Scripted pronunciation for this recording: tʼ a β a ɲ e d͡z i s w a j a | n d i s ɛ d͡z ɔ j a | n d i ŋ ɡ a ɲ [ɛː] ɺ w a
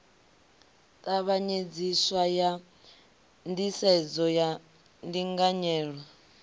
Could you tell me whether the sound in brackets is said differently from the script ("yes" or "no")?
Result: no